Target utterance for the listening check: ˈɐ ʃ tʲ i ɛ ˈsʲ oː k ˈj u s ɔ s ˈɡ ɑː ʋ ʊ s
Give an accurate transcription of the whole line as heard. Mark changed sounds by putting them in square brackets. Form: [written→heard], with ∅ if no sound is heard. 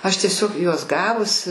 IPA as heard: ˈɐ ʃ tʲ i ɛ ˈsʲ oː k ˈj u [s→∅] ɔ s ˈɡ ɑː ʋ ʊ s